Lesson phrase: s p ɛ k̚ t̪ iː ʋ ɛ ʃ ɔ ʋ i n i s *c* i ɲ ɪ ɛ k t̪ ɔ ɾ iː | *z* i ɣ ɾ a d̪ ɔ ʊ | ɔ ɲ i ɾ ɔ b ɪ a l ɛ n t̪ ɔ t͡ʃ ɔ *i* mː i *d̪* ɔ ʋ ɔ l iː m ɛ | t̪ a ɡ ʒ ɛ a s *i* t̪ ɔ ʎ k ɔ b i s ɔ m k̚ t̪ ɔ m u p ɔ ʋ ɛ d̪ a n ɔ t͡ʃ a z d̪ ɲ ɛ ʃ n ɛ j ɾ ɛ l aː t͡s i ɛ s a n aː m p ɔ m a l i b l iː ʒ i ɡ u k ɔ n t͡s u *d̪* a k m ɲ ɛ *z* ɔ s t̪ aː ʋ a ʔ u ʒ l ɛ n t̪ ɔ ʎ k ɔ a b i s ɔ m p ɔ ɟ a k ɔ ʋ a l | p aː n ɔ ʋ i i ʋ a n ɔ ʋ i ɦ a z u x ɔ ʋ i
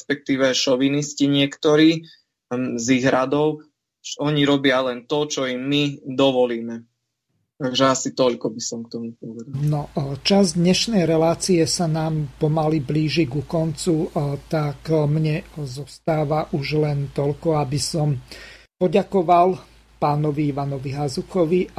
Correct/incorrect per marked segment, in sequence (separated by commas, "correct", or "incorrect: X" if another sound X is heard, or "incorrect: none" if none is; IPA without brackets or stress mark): correct, correct, correct, correct, correct, incorrect: t̪, correct